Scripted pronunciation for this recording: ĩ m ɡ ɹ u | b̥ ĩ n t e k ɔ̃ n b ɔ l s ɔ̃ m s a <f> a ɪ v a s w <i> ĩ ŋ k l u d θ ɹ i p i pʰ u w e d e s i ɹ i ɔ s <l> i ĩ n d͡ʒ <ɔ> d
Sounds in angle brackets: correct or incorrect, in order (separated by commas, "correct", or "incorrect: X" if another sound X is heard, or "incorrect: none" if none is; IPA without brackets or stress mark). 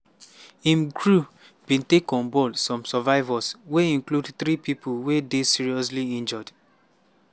incorrect: v, incorrect: e, correct, correct